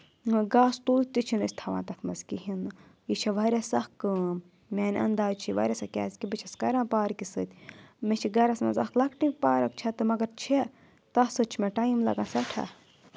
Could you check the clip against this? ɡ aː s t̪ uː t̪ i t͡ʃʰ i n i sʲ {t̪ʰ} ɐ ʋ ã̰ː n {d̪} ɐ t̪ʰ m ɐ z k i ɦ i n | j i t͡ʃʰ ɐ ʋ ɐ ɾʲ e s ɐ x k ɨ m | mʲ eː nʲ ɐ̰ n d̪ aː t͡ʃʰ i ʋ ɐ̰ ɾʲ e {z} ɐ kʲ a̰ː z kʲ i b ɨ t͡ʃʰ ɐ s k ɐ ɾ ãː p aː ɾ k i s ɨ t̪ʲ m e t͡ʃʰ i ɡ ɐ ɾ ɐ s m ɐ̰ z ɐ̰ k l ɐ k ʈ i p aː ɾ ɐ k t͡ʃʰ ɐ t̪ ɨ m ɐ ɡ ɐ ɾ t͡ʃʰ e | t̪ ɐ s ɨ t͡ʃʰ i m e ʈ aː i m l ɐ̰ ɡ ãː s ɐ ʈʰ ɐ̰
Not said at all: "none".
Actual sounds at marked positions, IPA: t̪ʰ, t̪, s

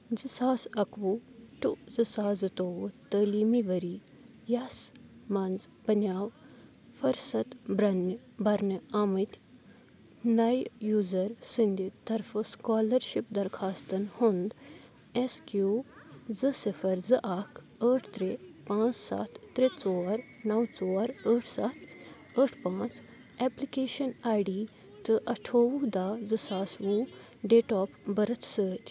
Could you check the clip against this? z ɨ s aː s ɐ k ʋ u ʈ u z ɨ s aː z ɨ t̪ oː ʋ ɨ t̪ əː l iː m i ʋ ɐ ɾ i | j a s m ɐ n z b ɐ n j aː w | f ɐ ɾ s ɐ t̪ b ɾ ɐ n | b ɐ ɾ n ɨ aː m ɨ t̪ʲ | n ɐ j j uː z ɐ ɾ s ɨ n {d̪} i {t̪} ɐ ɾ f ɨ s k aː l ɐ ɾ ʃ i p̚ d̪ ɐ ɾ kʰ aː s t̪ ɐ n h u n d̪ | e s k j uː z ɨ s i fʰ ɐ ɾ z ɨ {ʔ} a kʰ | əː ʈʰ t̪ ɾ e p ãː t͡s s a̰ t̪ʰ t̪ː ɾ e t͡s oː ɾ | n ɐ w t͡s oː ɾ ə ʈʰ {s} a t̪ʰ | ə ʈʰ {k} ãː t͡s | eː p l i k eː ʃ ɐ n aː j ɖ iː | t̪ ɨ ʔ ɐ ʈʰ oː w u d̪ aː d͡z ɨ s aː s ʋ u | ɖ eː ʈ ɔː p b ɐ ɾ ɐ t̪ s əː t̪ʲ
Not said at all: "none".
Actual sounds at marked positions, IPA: d̪, t̪, ʔ, s, p

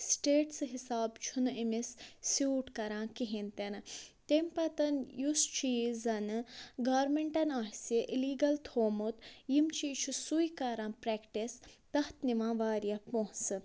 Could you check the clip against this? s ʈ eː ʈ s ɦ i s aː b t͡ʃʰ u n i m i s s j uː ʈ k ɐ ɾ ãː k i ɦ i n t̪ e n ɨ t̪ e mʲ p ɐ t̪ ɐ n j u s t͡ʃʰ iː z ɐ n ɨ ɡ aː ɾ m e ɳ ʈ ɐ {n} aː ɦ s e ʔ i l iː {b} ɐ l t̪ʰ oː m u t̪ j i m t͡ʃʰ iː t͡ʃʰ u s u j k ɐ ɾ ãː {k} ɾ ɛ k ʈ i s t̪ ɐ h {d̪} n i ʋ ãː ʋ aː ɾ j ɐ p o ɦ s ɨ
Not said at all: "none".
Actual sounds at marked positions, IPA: n, ɡ, p, t̪

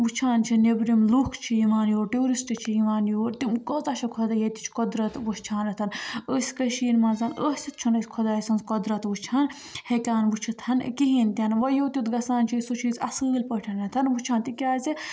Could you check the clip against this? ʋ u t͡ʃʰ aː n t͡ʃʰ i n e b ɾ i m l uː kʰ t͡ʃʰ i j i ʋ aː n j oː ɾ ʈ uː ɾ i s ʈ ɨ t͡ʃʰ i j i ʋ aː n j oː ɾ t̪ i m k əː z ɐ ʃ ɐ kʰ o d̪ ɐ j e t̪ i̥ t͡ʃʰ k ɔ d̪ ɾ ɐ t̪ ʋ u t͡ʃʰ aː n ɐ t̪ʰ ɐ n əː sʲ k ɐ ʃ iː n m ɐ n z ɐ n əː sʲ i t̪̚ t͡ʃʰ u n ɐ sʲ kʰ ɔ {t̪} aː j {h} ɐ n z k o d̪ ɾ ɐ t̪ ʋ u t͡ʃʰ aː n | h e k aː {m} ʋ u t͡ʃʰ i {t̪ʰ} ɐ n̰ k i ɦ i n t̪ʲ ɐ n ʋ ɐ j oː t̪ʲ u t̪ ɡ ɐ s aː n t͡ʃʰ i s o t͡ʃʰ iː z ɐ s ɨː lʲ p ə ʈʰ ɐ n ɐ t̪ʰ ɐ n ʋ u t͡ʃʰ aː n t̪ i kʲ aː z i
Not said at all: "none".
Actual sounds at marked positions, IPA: d̪, s, n, t̪ʰ

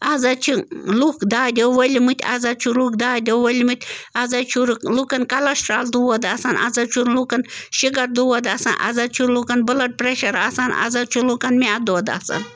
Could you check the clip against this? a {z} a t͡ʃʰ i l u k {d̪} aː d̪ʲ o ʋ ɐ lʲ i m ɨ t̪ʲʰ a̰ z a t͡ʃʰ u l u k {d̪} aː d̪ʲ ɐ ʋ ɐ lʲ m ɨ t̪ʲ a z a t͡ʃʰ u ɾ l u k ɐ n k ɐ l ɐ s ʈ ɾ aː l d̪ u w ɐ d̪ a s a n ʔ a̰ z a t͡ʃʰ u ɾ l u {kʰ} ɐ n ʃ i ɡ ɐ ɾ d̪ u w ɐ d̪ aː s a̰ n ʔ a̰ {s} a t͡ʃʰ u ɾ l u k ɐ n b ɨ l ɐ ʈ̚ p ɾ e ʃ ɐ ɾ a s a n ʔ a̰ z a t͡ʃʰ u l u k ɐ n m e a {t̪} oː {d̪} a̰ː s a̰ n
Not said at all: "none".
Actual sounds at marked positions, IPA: z, d̪, d̪, k, z, d̪, d̪

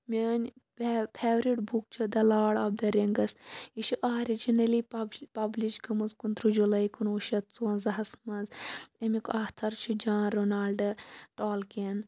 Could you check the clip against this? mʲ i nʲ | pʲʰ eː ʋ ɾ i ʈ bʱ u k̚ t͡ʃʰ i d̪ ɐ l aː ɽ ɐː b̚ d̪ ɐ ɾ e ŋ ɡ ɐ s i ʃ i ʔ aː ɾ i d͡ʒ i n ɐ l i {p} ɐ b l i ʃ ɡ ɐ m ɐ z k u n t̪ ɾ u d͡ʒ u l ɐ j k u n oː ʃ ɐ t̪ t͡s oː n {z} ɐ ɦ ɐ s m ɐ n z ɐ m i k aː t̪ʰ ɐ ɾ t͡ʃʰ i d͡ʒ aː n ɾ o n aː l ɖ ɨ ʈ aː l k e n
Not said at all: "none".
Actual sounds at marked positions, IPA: p, z

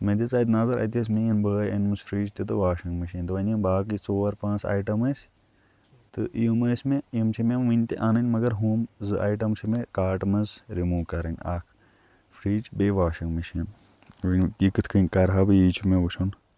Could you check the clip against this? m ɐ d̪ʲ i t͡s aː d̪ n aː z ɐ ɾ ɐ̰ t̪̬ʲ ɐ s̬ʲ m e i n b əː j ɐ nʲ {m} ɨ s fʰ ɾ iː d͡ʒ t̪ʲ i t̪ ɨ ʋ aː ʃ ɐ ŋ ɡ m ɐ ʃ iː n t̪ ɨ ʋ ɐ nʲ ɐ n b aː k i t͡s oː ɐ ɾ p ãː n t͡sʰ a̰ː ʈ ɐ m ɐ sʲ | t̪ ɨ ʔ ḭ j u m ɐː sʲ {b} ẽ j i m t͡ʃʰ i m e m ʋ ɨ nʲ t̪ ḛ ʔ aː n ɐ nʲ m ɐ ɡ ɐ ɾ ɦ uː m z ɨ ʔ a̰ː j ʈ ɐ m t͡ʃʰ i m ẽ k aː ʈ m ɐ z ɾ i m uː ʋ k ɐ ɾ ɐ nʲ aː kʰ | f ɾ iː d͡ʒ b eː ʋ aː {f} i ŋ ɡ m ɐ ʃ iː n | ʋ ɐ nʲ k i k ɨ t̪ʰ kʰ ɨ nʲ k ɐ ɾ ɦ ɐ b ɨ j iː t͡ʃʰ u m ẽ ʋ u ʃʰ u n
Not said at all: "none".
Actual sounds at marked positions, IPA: m, m, ʃ

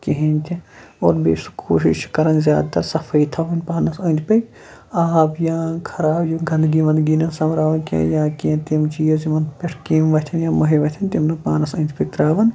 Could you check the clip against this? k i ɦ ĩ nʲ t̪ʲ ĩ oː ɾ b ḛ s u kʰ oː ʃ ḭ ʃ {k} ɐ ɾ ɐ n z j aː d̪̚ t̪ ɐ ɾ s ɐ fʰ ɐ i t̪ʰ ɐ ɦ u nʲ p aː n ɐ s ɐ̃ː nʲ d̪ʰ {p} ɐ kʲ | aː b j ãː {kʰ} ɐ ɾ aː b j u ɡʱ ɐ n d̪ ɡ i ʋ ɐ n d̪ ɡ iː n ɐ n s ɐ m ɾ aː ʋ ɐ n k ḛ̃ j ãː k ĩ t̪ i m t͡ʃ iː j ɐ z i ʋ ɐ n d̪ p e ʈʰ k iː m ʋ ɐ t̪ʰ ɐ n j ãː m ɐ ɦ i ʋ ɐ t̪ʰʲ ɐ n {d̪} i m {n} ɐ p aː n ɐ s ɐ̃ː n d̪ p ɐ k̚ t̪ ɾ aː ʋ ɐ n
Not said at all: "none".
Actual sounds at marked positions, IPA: k, p, kʰ, t̪, n

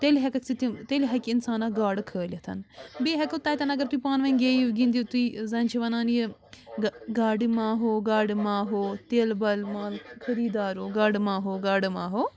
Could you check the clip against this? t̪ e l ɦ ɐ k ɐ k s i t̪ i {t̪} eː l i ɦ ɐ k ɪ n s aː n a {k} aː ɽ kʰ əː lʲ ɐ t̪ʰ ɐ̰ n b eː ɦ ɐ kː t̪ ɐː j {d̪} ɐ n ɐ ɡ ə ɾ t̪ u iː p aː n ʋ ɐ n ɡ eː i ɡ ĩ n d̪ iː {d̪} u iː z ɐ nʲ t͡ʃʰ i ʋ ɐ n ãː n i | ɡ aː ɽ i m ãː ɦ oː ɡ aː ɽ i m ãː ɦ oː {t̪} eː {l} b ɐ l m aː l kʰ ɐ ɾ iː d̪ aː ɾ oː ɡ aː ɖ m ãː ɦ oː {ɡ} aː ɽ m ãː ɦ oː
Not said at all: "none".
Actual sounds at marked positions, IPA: t̪, ɡ, t̪, t̪, t̪, l, ɡ

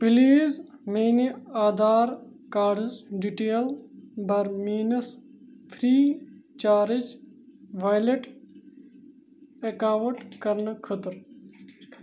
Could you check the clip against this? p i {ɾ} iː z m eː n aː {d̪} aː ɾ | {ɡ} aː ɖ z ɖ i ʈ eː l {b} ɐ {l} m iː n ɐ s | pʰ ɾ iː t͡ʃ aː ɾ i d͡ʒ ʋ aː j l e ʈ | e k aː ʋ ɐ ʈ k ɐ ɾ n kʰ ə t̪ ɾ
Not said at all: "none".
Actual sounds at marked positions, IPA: l, d̪, k, b, ɾ

